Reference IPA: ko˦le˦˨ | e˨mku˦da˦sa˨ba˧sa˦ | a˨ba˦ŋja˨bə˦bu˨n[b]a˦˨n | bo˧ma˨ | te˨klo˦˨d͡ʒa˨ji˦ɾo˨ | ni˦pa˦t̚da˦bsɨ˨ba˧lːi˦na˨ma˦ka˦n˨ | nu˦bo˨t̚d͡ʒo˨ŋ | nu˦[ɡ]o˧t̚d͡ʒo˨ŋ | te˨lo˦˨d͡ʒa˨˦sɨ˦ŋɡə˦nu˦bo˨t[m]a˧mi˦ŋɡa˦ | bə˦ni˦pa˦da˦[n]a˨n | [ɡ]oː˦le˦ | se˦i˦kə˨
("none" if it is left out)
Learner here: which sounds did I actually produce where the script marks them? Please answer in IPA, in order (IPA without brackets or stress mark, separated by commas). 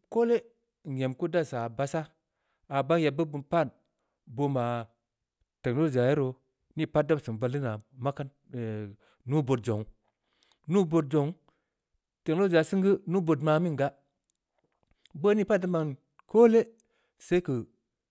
p, b, m, m, k